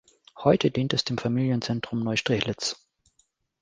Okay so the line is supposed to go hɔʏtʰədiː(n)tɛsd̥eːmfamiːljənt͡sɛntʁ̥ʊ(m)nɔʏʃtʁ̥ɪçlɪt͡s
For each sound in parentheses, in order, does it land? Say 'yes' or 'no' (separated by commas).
yes, yes